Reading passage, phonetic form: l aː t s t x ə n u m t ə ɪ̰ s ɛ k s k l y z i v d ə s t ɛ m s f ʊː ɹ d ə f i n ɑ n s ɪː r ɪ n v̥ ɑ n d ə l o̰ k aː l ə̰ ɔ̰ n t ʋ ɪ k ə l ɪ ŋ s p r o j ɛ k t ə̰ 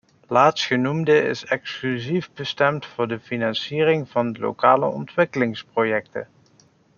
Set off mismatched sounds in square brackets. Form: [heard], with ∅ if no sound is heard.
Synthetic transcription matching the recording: l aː t s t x ə n u m [d] ə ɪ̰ s ɛ k s k l y z i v [b] ə s t ɛ m [t] f ʊː ɹ d ə f i n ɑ n s [iː] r ɪ [ŋ] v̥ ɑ n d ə l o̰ k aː l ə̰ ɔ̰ n t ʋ ɪ k ə l ɪ ŋ s p r o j ɛ k t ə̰